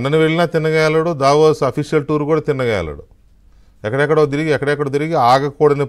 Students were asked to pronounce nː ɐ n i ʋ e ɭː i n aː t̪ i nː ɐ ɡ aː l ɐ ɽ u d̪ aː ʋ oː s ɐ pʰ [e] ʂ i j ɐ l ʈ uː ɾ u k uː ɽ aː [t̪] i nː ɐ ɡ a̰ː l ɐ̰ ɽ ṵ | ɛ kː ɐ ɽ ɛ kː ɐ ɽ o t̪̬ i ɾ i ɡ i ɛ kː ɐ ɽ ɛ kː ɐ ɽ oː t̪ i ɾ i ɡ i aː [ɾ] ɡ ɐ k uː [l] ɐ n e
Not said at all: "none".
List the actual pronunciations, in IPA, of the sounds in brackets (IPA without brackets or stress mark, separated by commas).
i, t̪, none, ɽ